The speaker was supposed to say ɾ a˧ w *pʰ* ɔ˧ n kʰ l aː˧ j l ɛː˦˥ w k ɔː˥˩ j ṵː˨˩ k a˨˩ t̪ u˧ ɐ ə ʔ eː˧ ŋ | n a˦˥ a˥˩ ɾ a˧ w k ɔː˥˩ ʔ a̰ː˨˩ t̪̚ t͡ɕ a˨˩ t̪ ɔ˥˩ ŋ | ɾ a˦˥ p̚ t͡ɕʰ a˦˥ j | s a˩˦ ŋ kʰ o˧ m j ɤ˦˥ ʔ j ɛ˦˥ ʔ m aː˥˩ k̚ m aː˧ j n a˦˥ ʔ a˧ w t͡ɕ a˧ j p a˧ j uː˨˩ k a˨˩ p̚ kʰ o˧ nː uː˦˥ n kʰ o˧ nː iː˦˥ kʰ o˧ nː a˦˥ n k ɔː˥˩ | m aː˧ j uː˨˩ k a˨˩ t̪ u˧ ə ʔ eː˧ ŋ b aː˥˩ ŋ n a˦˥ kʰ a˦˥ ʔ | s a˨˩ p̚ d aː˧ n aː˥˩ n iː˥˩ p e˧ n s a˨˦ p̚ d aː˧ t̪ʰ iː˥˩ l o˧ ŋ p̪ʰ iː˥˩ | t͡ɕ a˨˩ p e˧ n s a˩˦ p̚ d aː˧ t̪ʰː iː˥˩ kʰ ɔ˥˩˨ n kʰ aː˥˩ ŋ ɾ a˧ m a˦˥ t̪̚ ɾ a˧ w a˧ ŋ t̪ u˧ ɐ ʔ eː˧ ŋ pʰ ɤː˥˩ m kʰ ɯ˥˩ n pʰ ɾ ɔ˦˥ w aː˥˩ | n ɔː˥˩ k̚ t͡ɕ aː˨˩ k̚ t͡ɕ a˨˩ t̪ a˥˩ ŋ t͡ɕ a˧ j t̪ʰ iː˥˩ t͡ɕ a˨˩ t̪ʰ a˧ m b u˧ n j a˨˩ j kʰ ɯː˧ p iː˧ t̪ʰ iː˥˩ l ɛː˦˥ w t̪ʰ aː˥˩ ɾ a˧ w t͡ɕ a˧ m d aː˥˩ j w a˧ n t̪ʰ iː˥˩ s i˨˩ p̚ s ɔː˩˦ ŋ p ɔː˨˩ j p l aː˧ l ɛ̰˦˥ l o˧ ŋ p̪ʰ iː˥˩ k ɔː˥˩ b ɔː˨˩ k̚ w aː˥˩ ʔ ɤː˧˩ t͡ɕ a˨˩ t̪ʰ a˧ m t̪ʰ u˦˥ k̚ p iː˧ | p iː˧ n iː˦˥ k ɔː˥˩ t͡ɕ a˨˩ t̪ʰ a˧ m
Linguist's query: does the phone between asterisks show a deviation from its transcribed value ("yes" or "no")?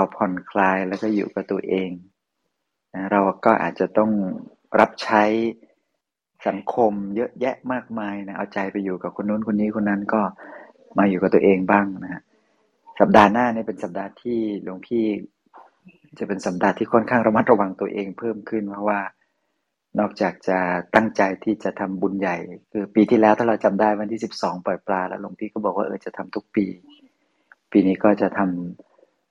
no